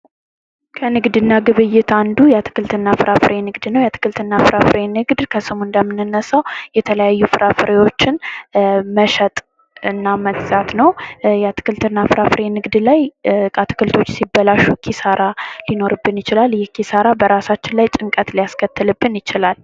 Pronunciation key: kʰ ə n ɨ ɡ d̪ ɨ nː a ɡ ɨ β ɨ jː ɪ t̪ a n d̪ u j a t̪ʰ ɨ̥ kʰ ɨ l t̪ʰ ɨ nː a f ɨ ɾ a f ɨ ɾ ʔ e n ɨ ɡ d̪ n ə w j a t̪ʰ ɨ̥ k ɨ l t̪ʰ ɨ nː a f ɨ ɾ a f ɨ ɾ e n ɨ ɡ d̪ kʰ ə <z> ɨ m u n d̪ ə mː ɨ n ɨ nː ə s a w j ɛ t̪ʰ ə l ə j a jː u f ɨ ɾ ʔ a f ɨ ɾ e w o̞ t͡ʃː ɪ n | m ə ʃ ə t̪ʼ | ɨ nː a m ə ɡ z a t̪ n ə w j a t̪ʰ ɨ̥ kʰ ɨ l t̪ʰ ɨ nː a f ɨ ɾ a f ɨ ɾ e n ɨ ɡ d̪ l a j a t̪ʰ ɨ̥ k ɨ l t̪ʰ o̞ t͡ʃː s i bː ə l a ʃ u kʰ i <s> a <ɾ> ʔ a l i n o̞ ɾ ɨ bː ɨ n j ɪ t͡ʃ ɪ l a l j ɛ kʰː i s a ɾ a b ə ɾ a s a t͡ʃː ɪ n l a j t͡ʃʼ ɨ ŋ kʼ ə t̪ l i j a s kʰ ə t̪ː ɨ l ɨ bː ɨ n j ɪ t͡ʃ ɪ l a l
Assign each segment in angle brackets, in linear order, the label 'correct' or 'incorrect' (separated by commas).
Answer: incorrect, correct, correct